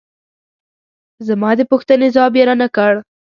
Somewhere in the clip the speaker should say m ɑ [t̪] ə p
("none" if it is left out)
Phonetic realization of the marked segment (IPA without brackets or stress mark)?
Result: d̪